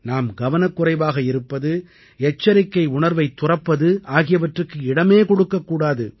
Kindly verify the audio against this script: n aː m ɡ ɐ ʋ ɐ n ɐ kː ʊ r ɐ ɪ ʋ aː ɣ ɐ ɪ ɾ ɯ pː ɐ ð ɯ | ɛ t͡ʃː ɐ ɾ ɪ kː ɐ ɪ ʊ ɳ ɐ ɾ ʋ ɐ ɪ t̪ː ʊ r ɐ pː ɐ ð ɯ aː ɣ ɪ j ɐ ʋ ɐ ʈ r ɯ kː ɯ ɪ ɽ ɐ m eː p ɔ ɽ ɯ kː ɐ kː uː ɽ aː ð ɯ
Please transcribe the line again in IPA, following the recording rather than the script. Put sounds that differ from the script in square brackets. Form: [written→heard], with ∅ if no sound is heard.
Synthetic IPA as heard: n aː m ɡ ɐ ʋ ɐ n ɐ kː ʊ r ɐ ɪ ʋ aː ɣ ɐ ɪ ɾ ɯ pː ɐ ð ɯ | ɛ t͡ʃː ɐ ɾ ɪ kː ɐ ɪ ʊ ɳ ɐ ɾ ʋ ɐ ɪ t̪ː ʊ r ɐ pː ɐ ð ɯ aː ɣ ɪ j ɐ ʋ ɐ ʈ r ɯ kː ɯ ɪ ɽ ɐ m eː [p→k] ɔ ɽ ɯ kː ɐ kː uː ɽ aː ð ɯ